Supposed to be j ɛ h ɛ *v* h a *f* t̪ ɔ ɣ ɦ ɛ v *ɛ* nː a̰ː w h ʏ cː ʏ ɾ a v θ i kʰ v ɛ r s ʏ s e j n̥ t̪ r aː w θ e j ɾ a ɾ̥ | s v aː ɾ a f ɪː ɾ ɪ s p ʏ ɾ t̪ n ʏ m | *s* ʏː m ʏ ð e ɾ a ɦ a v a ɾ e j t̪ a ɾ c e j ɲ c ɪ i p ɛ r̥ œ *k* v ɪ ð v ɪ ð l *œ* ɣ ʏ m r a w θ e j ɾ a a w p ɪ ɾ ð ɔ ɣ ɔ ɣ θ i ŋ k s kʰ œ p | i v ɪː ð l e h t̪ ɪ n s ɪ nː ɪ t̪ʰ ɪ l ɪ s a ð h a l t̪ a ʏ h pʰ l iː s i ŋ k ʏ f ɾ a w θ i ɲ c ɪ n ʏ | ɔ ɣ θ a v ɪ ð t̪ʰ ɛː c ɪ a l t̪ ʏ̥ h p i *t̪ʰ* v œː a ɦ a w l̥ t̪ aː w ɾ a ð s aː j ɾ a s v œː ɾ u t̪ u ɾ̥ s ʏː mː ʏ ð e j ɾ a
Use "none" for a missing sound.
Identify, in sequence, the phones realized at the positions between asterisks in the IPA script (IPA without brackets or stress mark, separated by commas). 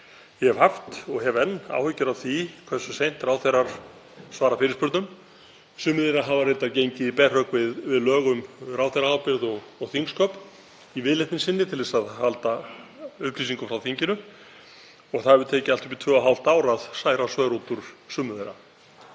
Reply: v, f, ɛ, s, k, œː, t̪ʰ